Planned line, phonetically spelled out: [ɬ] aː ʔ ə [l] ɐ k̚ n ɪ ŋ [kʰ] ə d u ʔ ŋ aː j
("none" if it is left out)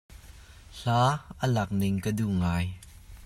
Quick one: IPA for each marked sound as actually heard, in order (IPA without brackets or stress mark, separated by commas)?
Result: ɬ, l, k